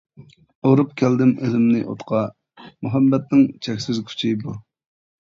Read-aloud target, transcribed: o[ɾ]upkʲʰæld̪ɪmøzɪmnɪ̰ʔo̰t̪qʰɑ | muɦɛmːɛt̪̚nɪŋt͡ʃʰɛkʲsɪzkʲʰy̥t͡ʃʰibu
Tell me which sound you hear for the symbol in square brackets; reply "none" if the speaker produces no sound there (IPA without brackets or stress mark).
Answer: ɾ